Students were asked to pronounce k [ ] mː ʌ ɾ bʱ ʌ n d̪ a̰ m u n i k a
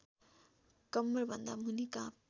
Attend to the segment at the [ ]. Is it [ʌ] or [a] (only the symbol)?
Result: ʌ